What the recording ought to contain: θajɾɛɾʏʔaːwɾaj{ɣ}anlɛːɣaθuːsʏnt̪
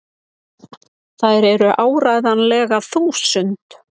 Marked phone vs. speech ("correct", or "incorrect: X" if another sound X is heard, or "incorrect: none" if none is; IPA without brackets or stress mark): incorrect: ð